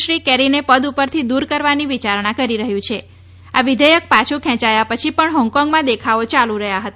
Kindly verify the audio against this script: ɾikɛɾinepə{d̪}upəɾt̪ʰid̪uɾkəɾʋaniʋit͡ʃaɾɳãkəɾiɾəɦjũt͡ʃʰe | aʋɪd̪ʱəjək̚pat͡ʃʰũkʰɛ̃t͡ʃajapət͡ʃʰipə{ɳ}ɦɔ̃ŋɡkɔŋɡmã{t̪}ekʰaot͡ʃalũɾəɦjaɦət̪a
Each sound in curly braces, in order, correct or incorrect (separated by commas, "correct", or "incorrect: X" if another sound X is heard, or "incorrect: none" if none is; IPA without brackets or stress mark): correct, correct, incorrect: d̪